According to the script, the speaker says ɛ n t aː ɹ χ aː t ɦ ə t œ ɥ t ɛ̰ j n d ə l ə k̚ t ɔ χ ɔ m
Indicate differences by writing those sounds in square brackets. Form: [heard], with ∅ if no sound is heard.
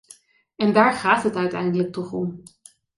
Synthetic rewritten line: ɛ n [d] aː ɹ χ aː t ɦ ə t œ ɥ t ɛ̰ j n d ə l ə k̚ t ɔ χ ɔ m